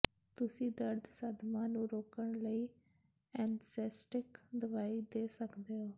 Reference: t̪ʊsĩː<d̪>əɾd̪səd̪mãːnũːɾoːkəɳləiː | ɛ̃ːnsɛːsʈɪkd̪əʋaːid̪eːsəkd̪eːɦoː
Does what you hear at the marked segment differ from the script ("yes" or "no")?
no